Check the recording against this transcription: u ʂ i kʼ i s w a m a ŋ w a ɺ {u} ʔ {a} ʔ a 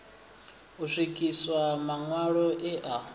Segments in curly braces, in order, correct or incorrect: incorrect: ɔ, incorrect: ɛ

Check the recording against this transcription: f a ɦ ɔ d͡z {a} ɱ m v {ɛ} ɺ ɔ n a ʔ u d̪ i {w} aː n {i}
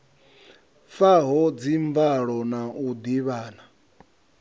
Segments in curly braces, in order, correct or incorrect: incorrect: i, incorrect: a, incorrect: β, incorrect: a

